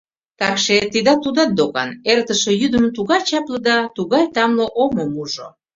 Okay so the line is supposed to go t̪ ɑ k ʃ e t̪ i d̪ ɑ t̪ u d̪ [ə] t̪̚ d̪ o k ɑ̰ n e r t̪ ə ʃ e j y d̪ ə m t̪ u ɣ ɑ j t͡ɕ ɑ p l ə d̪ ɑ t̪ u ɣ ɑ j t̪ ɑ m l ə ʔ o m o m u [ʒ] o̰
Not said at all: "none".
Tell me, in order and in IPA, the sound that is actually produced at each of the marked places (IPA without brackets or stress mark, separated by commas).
ɑ, ʒ